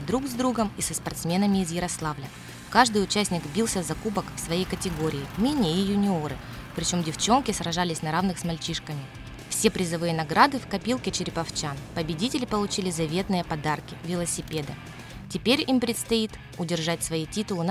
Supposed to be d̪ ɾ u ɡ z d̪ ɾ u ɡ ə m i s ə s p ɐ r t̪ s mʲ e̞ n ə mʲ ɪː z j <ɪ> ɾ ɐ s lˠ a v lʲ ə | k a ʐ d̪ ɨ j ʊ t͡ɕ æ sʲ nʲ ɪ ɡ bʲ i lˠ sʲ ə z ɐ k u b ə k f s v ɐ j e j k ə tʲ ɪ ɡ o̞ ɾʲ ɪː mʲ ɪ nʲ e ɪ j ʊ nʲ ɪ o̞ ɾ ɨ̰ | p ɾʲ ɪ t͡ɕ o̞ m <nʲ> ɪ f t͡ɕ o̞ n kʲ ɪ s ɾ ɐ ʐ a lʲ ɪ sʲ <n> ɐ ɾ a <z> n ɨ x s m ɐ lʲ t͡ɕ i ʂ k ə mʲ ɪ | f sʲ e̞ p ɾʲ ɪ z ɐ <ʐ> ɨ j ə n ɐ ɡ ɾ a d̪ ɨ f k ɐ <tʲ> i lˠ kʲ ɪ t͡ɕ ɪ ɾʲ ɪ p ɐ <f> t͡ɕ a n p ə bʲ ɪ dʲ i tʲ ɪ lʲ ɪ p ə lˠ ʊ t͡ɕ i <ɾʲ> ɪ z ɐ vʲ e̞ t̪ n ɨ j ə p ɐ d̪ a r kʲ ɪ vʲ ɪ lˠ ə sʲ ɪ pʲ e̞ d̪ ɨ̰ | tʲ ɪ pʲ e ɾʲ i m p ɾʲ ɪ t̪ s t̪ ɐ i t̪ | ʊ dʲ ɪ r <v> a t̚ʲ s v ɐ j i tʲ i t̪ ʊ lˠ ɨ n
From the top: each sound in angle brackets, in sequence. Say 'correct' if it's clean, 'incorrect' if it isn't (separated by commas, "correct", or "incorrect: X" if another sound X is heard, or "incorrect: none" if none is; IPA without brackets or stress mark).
correct, incorrect: dʲ, correct, incorrect: v, incorrect: v, incorrect: pʲ, correct, incorrect: lʲ, incorrect: ʐ